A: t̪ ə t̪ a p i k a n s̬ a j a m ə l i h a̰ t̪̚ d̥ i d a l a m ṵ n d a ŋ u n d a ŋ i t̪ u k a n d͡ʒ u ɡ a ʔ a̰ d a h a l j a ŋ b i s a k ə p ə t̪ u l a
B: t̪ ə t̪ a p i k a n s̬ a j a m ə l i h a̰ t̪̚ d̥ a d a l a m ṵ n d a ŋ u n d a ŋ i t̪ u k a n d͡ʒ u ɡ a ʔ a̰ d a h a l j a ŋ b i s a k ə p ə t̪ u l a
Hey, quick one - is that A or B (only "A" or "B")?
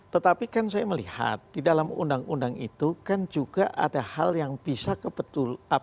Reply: A